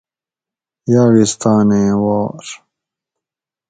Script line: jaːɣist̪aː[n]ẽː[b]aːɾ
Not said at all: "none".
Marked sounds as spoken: n, w

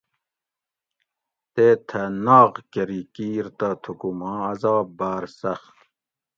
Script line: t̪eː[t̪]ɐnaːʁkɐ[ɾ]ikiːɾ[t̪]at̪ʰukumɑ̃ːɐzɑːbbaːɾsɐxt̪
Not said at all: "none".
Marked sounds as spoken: t̪ʰ, ɾ, t̪

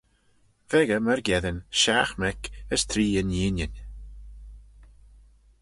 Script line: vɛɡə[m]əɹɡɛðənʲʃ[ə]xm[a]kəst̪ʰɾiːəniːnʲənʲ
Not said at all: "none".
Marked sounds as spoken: m, a, ɛ

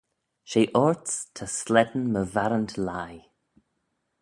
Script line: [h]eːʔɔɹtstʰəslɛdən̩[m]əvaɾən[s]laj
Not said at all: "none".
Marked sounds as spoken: ʃ, m, t

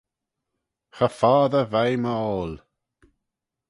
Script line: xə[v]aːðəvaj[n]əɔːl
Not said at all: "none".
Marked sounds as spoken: f, m

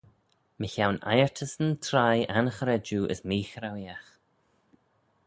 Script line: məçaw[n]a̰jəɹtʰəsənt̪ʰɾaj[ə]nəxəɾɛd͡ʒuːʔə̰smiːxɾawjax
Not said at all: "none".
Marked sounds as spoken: n, a

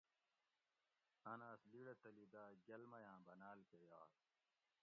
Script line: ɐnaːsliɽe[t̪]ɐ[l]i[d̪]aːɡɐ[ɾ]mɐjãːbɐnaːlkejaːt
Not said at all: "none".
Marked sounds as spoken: t̪, l, d̪, l

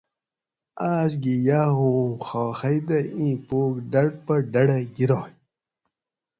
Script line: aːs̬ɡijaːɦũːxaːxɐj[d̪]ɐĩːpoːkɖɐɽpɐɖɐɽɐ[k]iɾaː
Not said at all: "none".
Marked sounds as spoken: d̪, ɡ

